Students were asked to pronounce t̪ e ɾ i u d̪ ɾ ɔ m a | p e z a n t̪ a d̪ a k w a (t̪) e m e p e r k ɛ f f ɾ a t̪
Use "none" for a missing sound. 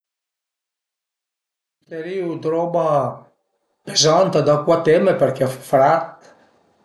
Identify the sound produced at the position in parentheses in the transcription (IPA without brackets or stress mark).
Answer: t̪